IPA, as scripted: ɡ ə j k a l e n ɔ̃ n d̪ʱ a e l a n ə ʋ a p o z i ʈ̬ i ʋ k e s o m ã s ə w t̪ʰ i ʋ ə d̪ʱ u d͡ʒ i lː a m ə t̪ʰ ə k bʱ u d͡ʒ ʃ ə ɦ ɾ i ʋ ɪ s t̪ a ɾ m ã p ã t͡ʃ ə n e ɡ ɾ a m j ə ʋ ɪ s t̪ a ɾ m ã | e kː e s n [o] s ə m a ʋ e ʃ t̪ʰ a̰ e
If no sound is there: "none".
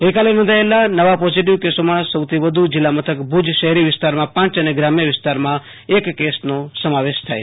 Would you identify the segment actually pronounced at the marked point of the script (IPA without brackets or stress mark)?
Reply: o